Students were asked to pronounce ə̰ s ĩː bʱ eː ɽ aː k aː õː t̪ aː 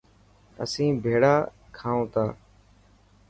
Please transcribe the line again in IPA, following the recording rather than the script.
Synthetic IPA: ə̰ s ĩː bʱ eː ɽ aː kʰ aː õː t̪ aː